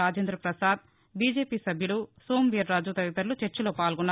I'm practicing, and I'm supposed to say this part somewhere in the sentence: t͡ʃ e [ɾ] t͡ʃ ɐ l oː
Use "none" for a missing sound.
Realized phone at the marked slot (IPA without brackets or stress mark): ɾ